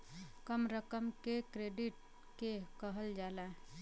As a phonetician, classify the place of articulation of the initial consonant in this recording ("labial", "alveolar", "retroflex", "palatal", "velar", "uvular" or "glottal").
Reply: velar